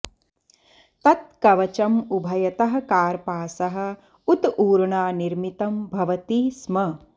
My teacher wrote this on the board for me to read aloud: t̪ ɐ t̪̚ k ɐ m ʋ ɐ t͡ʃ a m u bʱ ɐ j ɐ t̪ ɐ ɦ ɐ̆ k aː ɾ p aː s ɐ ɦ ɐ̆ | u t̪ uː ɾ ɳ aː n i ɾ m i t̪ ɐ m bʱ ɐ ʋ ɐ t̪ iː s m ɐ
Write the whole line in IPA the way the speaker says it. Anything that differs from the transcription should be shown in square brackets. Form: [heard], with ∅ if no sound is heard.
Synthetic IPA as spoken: t̪ ɐ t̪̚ k ɐ [∅] ʋ ɐ t͡ʃ [ɐ] m u bʱ ɐ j ɐ t̪ ɐ ɦ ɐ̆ k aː ɾ p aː s ɐ ɦ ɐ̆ | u t̪ uː ɾ ɳ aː n i ɾ m i t̪ ɐ m bʱ ɐ ʋ ɐ t̪ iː s m ɐ

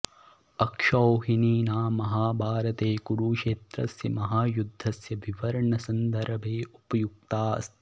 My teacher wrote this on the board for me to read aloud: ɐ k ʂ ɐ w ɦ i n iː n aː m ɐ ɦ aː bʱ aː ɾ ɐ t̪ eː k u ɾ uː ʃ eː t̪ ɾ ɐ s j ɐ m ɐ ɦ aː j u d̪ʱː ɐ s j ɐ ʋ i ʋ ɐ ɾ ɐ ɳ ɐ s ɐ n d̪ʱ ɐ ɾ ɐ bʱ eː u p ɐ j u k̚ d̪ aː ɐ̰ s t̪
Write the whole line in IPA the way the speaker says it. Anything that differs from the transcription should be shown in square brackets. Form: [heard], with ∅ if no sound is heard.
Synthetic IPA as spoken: ɐ k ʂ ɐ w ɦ i n iː n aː m ɐ ɦ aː bʱ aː ɾ ɐ t̪ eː k u ɾ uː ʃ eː t̪ ɾ ɐ s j ɐ m ɐ ɦ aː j u d̪ʱː ɐ s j ɐ ʋ i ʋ ɐ ɾ ɐ ɳ ɐ s ɐ n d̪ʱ ɐ ɾ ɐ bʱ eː u p ɐ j u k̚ [t̪] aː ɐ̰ s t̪

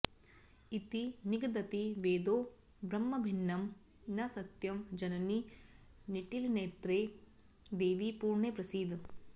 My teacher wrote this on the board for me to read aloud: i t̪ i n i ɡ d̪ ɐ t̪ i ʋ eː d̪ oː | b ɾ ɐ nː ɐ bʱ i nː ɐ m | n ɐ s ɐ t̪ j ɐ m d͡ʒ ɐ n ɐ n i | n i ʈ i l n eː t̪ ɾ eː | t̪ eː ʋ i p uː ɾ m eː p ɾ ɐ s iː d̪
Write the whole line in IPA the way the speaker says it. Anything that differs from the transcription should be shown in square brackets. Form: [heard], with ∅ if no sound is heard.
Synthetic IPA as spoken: i t̪ i n i ɡ d̪ ɐ t̪ i ʋ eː d̪ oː | b ɾ ɐ [mː] ɐ bʱ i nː ɐ m | n ɐ s ɐ t̪ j ɐ m d͡ʒ ɐ n ɐ n i | n i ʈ i l n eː t̪ ɾ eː | [d̪] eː ʋ i p uː ɾ [ɳ] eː p ɾ ɐ s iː d̪

